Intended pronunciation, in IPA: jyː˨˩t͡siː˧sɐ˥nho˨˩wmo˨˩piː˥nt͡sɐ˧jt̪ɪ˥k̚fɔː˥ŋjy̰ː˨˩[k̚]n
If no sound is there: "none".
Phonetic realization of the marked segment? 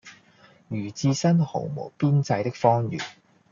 none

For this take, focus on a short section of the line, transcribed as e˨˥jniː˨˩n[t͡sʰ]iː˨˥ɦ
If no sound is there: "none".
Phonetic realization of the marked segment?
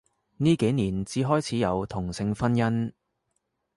t͡s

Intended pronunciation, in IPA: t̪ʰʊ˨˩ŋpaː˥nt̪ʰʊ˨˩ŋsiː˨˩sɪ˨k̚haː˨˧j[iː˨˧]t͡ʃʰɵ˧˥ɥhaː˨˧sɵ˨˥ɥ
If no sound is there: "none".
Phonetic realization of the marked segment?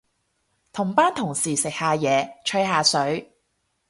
ɛː˨˧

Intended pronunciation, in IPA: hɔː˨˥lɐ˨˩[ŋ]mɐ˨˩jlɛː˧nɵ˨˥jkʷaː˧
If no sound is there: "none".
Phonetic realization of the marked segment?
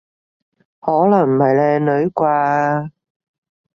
ŋ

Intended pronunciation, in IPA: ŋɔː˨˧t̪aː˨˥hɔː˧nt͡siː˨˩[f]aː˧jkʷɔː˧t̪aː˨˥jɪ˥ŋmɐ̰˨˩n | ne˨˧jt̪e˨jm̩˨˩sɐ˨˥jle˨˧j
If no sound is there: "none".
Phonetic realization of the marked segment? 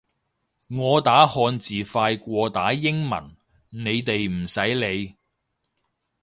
f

